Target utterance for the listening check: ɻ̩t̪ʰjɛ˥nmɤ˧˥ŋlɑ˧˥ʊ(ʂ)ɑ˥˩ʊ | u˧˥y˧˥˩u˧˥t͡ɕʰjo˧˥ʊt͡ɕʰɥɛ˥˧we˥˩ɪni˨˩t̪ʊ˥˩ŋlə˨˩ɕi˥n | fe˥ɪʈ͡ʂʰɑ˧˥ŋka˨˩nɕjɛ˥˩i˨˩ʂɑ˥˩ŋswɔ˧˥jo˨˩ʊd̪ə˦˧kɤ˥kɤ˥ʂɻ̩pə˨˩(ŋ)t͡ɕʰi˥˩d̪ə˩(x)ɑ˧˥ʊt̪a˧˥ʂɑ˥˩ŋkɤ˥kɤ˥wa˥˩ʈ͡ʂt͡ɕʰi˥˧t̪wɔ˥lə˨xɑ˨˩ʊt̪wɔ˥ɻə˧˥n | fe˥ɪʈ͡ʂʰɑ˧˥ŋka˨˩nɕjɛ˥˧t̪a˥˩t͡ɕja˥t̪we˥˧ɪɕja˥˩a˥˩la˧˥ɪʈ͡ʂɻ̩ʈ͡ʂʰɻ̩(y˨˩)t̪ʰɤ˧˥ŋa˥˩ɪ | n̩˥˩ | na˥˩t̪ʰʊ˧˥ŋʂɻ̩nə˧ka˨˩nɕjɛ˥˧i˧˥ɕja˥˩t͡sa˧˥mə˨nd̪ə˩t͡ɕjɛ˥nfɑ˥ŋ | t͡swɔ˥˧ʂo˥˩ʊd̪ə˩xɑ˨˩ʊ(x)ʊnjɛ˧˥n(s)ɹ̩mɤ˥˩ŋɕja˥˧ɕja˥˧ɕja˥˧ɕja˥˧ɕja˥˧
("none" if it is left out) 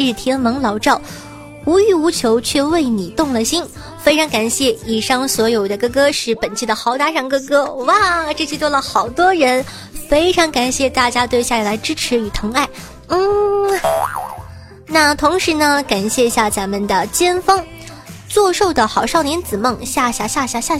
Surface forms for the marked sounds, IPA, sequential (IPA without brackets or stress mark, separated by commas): ʈ͡ʂ, n, x, y˨˩, ʂ, t͡s